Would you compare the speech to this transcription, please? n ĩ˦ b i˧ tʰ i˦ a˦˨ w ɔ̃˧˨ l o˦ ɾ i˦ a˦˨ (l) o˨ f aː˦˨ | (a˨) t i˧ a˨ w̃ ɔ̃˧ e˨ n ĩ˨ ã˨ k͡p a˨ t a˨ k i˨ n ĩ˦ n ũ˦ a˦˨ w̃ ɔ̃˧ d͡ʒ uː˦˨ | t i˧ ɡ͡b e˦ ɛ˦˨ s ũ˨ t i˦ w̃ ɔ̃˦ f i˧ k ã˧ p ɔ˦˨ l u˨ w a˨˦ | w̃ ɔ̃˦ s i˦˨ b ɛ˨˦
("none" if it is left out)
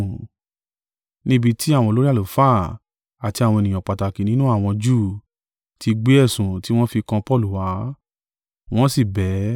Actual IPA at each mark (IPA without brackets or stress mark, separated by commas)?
l, a˨